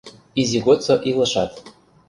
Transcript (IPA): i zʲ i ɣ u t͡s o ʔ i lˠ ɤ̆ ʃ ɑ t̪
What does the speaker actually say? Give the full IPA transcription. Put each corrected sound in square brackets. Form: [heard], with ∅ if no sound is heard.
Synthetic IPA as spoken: i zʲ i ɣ [o] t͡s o ʔ i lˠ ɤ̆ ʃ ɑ t̪